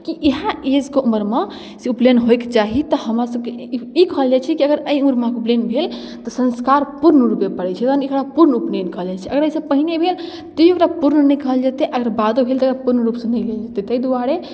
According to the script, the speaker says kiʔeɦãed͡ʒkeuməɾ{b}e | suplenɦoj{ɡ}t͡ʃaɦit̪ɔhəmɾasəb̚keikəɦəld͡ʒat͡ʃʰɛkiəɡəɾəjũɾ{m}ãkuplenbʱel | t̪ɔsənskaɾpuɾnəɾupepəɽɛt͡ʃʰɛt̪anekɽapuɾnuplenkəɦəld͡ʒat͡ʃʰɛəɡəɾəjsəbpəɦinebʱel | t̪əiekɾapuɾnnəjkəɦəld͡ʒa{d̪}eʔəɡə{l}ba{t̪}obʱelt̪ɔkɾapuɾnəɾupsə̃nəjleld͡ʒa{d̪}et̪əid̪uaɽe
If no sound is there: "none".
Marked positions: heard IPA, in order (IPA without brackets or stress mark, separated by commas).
m, k, m, t̪, ɾ, d̪, t̪